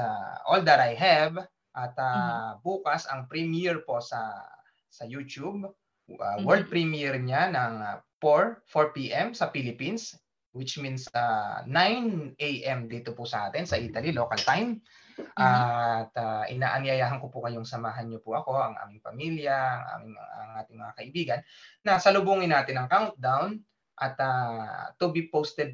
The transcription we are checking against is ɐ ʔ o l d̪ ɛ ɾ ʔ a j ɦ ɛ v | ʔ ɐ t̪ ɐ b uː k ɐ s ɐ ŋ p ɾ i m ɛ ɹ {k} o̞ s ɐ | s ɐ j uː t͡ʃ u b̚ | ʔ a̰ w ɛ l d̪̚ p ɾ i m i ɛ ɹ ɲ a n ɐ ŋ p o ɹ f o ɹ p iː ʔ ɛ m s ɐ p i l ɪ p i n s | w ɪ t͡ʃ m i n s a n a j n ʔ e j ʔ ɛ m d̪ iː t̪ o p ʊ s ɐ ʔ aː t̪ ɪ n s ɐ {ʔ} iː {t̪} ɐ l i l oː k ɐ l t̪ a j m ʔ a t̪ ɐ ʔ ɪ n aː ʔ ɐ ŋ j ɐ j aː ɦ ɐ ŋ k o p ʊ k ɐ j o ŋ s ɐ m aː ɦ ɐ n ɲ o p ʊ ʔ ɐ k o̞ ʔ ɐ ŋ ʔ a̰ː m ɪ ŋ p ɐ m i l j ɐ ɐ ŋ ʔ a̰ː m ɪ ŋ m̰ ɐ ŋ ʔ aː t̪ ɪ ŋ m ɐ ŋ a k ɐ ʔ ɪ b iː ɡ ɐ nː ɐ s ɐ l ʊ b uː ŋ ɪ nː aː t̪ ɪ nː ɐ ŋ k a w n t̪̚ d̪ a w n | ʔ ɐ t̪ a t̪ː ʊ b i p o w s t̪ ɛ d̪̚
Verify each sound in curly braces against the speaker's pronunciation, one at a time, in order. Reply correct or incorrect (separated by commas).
incorrect, correct, correct